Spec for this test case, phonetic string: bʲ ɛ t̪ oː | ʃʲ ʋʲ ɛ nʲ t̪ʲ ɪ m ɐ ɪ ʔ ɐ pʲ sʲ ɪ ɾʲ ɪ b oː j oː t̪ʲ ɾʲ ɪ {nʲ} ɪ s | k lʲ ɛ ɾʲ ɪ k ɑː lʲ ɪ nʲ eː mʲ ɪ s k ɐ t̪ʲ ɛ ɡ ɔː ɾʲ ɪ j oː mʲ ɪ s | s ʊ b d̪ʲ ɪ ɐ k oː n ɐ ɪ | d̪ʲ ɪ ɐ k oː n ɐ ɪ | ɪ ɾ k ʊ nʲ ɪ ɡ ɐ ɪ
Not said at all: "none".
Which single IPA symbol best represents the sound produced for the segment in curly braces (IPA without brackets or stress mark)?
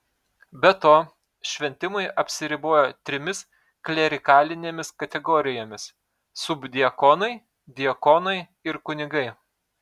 mʲ